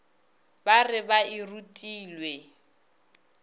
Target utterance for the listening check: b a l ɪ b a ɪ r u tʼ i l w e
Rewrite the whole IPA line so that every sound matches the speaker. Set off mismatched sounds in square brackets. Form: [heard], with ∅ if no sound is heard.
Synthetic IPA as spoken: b a [r] ɪ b a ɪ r u tʼ [iː] l w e